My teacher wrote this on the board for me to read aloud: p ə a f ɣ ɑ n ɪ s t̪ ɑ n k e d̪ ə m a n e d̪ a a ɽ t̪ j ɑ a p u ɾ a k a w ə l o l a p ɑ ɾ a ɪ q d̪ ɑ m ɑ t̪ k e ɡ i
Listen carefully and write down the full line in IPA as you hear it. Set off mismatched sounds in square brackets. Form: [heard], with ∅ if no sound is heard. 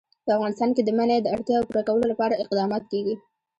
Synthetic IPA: p ə a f ɣ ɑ n ɪ s t̪ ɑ n k e d̪ ə m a n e d̪ [ə] a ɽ t̪ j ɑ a p u ɾ a k a w ə l o l a p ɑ ɾ a ɪ q d̪ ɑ m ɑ t̪ k e ɡ i